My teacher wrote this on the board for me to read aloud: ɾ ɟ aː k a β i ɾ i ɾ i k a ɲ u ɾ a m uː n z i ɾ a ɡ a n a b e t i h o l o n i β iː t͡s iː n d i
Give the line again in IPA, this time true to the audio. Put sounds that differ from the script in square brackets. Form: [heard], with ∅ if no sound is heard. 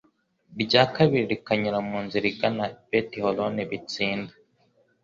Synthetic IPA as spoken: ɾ ɟ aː k a β i ɾ i ɾ i k a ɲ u ɾ a m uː n z i ɾ [i] ɡ a n a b e t i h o l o n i β [i] t͡s iː n d [a]